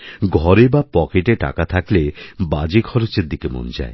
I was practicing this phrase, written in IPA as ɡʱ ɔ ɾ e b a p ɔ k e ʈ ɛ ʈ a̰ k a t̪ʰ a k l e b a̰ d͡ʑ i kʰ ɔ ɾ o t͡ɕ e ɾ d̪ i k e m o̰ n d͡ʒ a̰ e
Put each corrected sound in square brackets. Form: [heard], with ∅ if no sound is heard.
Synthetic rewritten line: ɡʱ ɔ ɾ e b a p ɔ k e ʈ [e] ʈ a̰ k a t̪ʰ a k l e b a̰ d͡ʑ i kʰ ɔ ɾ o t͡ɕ e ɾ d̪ i k e m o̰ n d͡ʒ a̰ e